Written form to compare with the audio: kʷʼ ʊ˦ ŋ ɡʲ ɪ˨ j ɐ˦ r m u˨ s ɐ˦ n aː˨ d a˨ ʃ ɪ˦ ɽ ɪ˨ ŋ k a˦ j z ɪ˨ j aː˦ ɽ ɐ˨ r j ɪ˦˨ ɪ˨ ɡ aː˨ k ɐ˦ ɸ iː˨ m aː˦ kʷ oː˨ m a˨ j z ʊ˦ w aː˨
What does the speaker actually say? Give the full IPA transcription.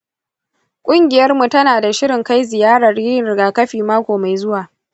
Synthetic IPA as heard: kʷʼ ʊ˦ ŋ ɡʲ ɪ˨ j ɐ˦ r m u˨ t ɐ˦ n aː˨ d a˨ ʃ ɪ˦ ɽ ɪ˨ ŋ k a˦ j z ɪ˨ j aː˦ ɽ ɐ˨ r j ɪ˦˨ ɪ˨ ɡ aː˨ k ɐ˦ ɸ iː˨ m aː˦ kʷ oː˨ m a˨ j z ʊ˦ w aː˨

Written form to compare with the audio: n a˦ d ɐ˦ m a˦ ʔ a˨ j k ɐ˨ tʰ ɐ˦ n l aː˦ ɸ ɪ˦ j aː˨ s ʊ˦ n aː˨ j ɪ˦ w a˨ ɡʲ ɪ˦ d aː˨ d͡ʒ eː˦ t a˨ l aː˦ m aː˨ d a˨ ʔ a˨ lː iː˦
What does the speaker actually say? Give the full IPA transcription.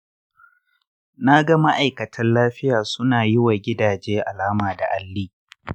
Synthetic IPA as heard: n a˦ ɡ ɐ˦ m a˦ ʔ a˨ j k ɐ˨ tʰ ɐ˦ n l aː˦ ɸ ɪ˦ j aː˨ s ʊ˦ n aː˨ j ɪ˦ w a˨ ɡʲ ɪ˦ d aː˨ d͡ʒ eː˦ ʔ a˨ l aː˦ m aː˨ d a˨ ʔ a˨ lː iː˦

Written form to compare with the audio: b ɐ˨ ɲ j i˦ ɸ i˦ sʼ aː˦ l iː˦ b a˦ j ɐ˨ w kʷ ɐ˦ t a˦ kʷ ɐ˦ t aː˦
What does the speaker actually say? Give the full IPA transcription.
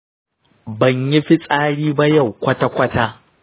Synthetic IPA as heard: b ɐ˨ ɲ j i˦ ɸ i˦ sʼ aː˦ ɽ iː˦ b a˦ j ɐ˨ w kʷ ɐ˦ t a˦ kʷ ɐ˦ t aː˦

